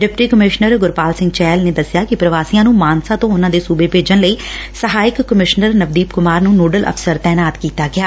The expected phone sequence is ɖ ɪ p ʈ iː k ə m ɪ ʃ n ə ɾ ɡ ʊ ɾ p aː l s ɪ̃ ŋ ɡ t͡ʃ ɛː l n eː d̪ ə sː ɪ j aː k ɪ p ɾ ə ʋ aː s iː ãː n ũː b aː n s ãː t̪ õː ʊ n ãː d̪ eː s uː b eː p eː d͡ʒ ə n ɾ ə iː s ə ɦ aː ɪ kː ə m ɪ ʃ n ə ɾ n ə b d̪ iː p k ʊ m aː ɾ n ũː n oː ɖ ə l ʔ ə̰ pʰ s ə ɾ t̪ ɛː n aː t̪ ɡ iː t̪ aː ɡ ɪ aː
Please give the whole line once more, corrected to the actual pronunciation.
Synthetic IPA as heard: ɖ ɪ p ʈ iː k ə m ɪ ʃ n ə ɾ ɡ ʊ ɾ p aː l s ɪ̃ ŋ ɡ t͡ʃ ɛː l n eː d̪ ə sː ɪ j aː k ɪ p ɾ ə ʋ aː s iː ãː n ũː m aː n s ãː t̪ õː ʊ n ãː d̪ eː s uː b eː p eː d͡ʒ ə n l ə iː s ə ɦ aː ɪ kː ə m ɪ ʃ n ə ɾ n ə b d̪ iː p k ʊ m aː ɾ n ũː n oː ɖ ə l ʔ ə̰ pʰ s ə ɾ t̪ ɛː n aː t̪ k iː t̪ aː ɡ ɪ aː